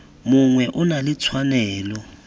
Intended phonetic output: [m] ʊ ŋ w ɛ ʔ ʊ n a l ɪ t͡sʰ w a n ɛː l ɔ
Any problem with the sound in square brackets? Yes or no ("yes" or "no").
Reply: no